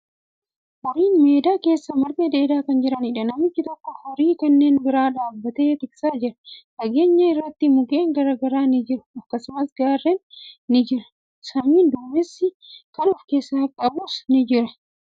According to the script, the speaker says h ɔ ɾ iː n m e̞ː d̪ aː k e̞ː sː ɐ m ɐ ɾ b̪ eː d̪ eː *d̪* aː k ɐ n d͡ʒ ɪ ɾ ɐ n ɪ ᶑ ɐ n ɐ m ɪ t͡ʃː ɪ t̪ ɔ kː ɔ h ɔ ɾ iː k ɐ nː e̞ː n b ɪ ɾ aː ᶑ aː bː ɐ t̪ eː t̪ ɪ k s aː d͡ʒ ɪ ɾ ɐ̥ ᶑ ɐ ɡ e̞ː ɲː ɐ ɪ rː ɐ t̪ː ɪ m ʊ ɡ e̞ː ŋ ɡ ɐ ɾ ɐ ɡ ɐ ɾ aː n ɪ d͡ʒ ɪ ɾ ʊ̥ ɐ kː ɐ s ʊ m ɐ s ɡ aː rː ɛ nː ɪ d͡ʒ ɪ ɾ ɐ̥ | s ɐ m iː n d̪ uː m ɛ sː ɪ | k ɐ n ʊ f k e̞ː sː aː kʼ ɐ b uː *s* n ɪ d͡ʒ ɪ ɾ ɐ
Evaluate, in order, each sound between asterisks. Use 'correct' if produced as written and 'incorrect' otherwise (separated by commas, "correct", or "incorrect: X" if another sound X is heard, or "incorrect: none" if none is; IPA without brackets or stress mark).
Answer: correct, correct